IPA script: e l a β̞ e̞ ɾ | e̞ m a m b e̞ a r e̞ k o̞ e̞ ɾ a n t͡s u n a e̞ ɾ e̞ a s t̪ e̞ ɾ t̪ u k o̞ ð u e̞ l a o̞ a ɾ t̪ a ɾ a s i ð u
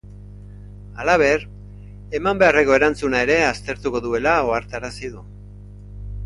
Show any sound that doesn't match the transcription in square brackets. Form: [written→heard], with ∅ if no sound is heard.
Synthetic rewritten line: [e→a] l a β̞ e̞ ɾ | e̞ m a m b e̞ a r e̞ k o̞ e̞ ɾ a n t͡s u n a e̞ ɾ e̞ a s t̪ e̞ ɾ t̪ u k o̞ ð u e̞ l a o̞ a ɾ t̪ a ɾ a s i ð u